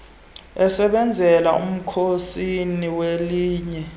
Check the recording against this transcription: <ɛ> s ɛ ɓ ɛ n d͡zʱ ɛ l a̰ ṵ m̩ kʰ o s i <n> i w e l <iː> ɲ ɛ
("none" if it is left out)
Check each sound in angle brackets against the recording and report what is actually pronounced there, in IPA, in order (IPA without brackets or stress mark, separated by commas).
ɛ, n, iː